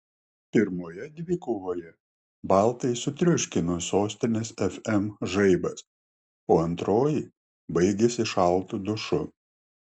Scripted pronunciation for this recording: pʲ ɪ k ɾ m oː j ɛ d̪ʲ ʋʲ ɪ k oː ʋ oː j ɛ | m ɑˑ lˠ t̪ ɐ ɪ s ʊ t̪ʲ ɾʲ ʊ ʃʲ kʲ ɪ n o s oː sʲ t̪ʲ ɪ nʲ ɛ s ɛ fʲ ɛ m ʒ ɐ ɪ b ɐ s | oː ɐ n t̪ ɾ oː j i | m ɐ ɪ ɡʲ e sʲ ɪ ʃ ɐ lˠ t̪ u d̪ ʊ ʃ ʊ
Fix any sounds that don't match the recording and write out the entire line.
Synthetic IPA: pʲ ɪ ɾ m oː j ɛ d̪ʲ ʋʲ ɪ k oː ʋ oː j ɛ | b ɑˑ lˠ t̪ ɐ ɪ s ʊ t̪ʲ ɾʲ ʊ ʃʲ kʲ ɪ n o s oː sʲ t̪ʲ ɪ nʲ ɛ s ɛ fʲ ɛ m ʒ ɐ ɪ b ɐ s | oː ɐ n t̪ ɾ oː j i | b ɐ ɪ ɡʲ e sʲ ɪ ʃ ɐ lˠ t̪ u d̪ ʊ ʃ ʊ